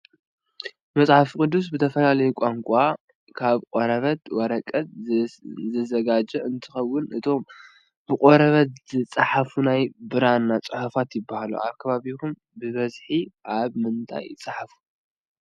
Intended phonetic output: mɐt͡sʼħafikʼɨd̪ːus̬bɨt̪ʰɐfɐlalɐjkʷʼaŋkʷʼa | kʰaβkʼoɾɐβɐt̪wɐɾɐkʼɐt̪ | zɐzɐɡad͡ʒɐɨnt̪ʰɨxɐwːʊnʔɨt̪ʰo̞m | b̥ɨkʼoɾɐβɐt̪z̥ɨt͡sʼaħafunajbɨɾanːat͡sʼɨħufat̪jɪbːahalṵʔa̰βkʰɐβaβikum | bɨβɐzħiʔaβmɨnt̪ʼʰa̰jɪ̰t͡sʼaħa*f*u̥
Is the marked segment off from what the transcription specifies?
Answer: no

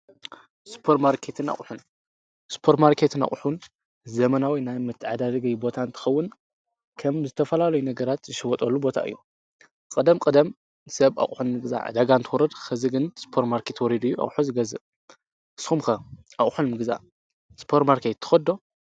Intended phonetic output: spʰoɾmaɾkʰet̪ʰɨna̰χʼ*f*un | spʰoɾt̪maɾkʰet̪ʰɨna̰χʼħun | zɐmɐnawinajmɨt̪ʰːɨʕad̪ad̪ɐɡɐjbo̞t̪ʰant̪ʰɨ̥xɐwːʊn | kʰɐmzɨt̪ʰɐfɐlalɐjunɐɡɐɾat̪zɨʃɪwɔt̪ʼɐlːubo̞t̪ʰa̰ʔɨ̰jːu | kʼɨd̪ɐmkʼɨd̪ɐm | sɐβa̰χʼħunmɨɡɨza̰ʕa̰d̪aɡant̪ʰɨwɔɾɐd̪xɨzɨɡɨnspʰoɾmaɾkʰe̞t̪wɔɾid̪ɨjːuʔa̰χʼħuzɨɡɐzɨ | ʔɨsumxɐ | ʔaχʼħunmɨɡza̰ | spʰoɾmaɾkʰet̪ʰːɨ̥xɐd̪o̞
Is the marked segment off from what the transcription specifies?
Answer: yes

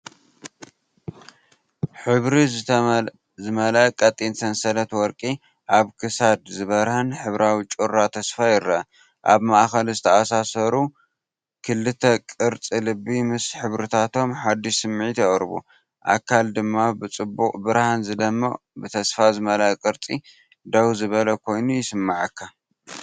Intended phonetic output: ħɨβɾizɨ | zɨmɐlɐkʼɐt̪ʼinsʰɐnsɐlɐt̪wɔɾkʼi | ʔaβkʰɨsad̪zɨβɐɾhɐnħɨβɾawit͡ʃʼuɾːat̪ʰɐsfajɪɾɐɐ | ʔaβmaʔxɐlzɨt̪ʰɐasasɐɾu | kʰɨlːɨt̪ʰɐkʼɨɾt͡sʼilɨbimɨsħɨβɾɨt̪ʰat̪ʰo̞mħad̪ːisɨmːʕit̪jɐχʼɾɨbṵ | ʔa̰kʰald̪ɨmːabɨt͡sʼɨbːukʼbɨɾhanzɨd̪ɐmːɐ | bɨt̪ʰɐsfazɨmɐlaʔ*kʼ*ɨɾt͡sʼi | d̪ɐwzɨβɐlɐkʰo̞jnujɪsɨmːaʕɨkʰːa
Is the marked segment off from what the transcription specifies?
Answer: no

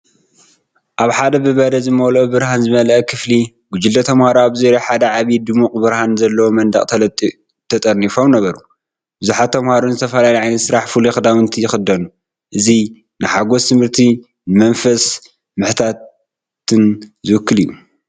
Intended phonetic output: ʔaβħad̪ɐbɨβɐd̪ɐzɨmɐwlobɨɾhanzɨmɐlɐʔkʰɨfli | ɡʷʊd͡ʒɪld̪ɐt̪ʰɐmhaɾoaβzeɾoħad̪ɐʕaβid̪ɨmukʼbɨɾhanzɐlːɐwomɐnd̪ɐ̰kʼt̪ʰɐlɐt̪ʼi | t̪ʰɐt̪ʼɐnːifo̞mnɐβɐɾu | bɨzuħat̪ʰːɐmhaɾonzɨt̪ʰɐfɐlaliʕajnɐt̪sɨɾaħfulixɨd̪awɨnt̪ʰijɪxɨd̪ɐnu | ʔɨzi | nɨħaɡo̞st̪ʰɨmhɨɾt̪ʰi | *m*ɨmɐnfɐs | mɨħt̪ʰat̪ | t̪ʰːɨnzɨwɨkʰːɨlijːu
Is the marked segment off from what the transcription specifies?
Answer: yes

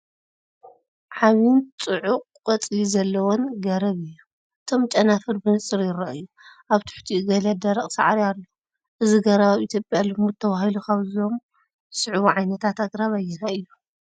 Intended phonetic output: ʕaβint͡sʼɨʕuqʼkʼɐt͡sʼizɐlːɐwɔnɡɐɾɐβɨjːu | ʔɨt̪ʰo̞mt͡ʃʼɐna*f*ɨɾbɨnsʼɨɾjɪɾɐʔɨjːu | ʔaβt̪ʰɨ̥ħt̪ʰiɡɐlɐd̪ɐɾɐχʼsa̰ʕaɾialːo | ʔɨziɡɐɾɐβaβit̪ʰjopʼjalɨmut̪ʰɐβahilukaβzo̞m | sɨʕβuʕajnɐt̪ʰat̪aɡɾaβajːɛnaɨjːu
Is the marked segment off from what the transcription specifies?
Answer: no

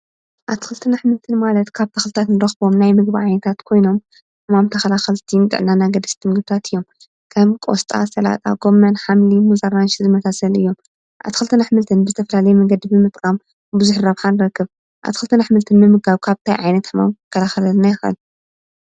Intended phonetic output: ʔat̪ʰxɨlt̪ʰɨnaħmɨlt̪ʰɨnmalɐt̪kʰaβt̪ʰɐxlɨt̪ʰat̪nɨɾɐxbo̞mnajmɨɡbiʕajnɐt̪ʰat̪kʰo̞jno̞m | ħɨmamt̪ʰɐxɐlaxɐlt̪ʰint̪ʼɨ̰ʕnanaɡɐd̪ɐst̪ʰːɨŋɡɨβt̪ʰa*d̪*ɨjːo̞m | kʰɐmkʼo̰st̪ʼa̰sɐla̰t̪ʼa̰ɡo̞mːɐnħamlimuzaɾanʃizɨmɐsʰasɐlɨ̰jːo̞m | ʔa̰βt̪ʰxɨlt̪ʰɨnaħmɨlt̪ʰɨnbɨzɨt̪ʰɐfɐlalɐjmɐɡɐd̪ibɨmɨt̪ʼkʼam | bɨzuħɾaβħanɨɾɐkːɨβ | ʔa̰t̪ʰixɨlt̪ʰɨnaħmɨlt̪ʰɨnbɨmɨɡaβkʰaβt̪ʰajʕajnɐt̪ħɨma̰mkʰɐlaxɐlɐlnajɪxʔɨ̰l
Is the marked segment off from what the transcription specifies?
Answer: yes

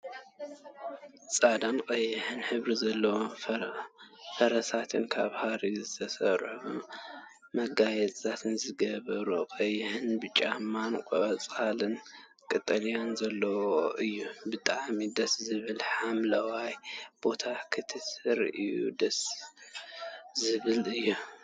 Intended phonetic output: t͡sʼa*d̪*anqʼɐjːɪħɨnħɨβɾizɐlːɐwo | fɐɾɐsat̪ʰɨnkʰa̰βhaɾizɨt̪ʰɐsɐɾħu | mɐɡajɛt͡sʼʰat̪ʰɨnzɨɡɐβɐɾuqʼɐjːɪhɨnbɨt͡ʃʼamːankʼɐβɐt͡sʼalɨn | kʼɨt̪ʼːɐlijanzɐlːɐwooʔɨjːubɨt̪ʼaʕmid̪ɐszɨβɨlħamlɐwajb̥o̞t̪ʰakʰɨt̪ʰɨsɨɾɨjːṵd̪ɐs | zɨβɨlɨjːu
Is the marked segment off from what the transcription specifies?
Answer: no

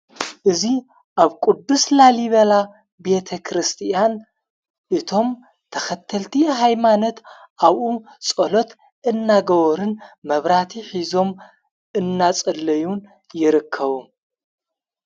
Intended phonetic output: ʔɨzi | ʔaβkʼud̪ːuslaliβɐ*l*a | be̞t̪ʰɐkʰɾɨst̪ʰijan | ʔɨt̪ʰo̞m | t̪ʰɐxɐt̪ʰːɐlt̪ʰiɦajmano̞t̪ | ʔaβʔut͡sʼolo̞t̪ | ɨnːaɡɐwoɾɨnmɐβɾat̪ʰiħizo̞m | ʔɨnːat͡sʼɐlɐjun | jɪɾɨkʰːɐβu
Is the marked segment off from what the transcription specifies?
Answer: no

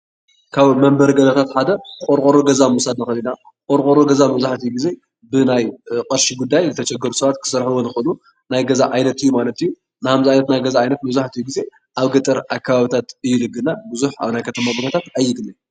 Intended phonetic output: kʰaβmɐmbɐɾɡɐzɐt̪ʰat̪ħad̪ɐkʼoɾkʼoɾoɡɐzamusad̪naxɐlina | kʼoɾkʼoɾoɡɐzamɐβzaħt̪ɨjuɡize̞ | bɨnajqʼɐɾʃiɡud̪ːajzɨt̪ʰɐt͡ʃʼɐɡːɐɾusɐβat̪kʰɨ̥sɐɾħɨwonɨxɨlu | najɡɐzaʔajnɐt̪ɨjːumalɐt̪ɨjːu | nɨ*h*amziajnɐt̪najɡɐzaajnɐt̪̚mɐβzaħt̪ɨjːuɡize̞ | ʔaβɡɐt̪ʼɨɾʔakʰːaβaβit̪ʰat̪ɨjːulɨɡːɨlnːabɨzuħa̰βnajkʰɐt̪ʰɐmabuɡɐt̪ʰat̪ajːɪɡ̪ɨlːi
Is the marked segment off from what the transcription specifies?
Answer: no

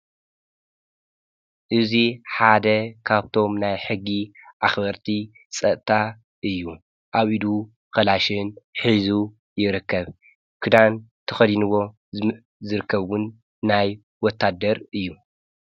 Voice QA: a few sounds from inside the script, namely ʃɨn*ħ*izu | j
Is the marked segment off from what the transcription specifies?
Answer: no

